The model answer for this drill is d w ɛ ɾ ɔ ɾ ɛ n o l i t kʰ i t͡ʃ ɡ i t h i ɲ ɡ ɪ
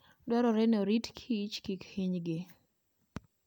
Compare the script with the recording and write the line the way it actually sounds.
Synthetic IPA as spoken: d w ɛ ɾ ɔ ɾ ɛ n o ɾ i t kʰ i t͡ʃ k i k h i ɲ ɡ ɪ